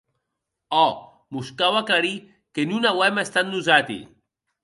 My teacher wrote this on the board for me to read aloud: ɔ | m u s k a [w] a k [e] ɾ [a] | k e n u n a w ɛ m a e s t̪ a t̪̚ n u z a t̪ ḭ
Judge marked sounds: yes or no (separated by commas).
yes, no, no